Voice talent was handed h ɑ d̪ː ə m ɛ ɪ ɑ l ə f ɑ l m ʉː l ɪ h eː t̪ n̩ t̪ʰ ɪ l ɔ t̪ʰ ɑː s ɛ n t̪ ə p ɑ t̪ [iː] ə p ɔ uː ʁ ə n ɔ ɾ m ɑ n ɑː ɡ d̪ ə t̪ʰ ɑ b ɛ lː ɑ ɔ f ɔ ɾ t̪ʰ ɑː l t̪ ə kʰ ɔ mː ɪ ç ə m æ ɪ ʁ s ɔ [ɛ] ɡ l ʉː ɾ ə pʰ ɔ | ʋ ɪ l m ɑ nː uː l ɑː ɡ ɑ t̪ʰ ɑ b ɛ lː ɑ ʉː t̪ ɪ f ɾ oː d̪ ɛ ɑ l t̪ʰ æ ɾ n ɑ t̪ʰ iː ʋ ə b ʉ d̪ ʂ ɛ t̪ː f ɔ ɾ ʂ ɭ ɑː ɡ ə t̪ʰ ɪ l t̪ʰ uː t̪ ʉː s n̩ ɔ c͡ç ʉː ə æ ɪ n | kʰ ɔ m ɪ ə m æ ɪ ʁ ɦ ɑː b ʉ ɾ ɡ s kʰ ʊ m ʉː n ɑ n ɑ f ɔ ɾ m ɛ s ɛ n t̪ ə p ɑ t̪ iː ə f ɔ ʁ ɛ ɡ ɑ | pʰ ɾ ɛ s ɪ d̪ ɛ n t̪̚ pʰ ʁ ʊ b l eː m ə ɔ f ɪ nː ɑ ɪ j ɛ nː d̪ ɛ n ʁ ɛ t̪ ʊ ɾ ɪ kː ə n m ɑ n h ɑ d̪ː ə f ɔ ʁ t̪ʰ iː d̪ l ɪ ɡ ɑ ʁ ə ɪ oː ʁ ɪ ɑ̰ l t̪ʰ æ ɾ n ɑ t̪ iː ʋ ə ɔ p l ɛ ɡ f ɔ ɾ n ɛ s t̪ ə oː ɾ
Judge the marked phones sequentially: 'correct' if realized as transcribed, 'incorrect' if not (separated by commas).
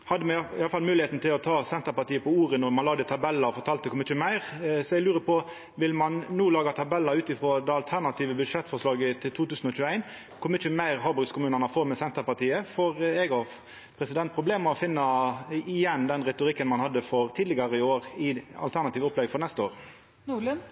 correct, correct